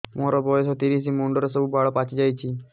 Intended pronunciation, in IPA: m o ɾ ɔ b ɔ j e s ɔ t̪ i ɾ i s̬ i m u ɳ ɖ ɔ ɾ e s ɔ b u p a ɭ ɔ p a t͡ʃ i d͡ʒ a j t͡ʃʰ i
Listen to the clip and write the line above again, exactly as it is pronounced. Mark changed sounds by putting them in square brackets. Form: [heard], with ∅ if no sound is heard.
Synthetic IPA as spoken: m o ɾ ɔ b ɔ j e s ɔ t̪ i ɾ i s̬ i m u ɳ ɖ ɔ ɾ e s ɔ b u [b] a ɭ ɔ p a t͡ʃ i d͡ʒ a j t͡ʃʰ i